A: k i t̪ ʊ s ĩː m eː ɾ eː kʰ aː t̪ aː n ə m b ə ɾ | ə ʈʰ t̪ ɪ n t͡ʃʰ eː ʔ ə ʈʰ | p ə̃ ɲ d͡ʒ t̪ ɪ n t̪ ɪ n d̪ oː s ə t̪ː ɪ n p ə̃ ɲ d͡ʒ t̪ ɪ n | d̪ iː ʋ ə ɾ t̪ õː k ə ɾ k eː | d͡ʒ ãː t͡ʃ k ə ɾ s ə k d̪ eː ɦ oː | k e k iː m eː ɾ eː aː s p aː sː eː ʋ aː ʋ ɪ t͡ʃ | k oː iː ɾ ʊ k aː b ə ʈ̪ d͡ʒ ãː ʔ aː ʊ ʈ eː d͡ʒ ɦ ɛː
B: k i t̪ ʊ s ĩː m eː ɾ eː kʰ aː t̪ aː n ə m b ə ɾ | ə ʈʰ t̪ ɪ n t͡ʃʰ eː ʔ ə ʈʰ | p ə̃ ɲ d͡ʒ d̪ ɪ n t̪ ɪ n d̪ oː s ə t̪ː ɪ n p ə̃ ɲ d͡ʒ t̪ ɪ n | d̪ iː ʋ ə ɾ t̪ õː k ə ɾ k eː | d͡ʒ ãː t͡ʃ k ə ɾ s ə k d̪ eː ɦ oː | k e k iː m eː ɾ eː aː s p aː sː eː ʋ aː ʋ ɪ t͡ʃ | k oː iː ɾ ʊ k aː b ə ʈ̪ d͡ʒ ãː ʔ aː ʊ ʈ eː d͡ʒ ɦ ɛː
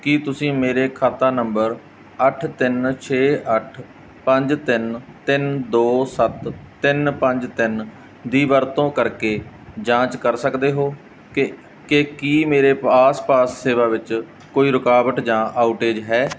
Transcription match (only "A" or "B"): A